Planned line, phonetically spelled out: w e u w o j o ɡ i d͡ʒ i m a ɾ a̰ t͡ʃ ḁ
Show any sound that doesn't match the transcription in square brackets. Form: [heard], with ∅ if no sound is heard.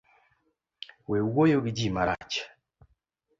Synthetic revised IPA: w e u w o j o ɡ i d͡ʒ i m a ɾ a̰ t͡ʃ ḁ